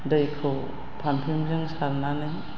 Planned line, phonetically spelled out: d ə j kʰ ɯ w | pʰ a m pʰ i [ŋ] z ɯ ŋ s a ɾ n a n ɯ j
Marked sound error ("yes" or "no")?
yes